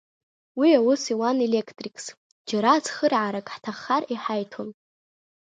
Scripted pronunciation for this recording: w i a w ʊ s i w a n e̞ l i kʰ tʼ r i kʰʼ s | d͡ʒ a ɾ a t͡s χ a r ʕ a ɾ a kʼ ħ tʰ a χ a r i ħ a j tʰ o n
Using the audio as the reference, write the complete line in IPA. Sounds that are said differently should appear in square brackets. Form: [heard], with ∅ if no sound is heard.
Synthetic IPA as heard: w i a w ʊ s i w a n e̞ l [e] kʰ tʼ r i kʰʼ s | d͡ʒ a ɾ a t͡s χ [ə] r ʕ a ɾ a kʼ ħ tʰ a χ a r i ħ a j tʰ o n